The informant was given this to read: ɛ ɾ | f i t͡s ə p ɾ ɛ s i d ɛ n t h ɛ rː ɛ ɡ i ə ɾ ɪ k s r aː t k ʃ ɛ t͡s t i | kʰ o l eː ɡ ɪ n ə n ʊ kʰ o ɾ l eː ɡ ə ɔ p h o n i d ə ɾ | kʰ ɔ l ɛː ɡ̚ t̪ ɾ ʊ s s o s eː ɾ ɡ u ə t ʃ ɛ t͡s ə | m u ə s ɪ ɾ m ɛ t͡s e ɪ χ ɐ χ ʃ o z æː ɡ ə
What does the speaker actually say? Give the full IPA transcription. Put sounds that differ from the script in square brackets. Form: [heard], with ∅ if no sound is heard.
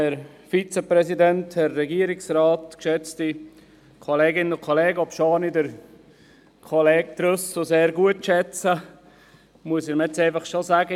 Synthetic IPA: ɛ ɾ | f i t͡s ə p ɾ ɛ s i d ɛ n t h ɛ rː ɛ ɡ i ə ɾ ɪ k s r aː t k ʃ ɛ t͡s t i | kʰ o l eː ɡ ɪ n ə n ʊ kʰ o [∅] l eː ɡ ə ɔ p [ʃ] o n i d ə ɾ | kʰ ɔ l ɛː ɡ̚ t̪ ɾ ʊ s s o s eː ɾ ɡ u ə t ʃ ɛ t͡s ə | m u ə s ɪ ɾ m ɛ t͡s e ɪ [f] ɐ χ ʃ o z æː ɡ ə